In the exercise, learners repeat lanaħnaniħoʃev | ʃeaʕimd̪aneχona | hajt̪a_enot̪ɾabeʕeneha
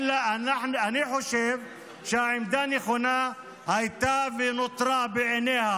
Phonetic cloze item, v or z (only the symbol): v